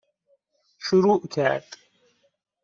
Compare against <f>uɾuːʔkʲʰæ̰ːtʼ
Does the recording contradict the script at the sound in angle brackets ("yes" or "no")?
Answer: yes